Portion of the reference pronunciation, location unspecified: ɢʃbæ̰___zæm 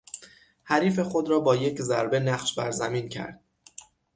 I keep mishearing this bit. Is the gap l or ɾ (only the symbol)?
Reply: ɾ